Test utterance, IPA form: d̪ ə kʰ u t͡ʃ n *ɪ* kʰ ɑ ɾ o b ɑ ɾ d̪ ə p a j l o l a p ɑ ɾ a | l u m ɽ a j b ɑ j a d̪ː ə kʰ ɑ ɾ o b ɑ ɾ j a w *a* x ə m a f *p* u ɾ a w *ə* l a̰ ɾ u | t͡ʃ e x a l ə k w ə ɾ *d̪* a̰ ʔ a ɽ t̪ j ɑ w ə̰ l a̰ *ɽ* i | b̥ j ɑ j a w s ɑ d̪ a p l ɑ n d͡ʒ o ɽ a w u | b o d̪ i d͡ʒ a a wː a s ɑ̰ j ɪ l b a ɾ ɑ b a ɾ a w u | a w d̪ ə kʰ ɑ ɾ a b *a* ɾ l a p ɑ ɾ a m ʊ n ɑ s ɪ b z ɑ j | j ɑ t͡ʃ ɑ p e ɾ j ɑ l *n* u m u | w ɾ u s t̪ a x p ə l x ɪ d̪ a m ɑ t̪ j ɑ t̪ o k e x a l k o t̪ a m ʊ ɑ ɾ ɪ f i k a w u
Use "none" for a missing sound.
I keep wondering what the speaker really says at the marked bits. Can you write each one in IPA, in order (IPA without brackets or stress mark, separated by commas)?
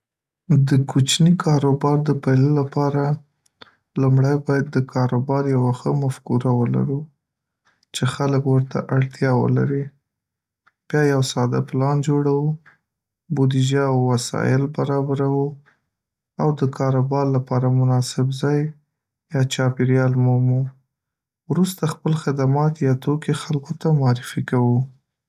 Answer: i, a, k, ə, t̪, ɾ, ɑ, m